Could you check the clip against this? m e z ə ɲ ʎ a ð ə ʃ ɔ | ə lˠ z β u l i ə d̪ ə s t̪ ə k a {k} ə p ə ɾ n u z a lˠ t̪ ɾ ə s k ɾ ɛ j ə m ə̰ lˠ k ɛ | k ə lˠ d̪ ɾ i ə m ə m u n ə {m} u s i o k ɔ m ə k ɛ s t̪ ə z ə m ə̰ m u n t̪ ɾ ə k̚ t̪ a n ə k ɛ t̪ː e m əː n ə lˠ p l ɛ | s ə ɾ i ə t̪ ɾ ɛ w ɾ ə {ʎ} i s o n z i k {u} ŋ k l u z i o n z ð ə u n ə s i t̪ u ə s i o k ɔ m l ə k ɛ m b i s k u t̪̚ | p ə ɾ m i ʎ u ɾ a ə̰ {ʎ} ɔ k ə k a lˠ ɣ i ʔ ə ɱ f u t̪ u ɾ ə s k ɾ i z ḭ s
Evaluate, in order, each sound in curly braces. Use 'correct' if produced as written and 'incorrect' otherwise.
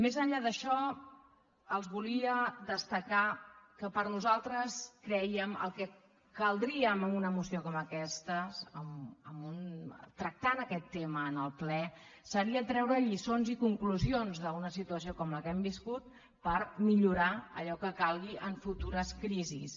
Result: correct, correct, correct, correct, correct

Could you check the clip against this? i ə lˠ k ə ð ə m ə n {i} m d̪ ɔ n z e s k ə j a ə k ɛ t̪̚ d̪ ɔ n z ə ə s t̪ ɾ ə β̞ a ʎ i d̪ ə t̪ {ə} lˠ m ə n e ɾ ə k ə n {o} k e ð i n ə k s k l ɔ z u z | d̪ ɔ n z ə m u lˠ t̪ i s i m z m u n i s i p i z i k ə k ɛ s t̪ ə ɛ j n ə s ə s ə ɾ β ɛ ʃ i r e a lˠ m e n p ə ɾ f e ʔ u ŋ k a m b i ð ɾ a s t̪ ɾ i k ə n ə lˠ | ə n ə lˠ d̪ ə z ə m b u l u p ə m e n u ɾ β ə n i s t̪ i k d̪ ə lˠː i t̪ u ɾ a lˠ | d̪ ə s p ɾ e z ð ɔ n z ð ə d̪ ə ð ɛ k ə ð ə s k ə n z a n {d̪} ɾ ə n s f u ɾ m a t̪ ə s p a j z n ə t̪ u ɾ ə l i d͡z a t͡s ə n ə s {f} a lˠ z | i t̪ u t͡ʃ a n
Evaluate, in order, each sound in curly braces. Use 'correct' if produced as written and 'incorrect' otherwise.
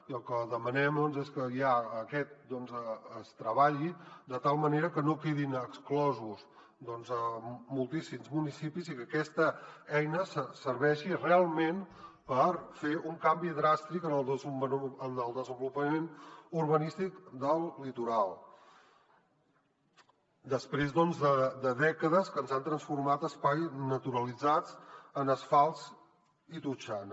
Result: incorrect, incorrect, correct, incorrect, correct

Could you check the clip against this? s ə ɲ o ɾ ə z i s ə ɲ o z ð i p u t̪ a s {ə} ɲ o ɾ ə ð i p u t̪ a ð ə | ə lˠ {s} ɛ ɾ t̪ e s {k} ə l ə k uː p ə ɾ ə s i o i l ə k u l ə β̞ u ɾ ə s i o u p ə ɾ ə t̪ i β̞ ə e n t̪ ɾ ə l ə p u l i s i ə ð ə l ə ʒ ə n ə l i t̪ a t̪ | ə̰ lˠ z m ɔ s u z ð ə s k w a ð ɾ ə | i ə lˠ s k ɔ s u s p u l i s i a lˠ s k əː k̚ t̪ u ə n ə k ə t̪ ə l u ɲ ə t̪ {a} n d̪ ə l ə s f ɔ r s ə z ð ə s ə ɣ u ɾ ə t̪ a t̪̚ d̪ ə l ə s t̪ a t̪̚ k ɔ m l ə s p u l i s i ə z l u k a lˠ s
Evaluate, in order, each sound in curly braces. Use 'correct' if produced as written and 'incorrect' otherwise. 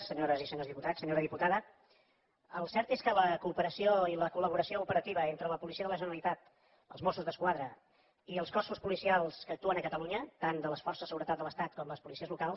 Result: correct, correct, correct, correct

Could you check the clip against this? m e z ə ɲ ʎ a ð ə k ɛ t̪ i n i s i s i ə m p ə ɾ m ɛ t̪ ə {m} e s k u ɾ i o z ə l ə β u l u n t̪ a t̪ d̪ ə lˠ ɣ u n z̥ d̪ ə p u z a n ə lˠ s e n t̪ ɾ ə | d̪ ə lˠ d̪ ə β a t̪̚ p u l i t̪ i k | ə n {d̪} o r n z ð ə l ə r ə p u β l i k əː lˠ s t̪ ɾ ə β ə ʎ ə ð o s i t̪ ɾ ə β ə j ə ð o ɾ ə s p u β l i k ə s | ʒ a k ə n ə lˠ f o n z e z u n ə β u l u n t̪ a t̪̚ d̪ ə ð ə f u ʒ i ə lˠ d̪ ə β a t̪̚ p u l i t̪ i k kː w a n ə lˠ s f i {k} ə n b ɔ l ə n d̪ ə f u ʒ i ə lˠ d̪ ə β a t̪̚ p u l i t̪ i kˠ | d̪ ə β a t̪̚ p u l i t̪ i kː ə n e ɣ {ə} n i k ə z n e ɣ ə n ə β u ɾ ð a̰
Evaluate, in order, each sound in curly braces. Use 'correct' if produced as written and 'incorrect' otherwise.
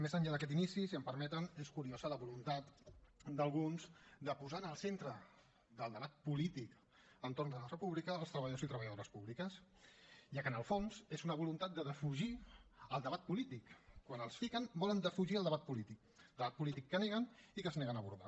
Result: incorrect, incorrect, correct, correct

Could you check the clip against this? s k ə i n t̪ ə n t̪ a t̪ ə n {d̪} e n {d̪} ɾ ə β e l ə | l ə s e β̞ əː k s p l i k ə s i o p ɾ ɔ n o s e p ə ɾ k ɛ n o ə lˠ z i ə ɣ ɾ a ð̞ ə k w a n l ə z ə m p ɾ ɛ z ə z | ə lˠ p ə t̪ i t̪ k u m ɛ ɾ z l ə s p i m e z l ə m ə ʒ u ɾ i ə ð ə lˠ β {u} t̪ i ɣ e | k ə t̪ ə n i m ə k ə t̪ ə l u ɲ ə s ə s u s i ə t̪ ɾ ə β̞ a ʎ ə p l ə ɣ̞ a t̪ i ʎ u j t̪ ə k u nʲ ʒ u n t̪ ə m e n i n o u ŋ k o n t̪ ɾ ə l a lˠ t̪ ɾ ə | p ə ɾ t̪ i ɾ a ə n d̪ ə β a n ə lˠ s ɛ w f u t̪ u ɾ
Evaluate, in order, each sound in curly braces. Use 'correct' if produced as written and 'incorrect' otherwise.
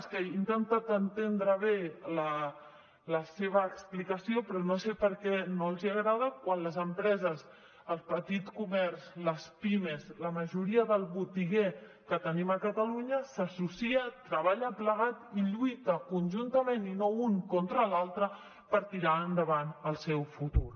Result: incorrect, correct, correct

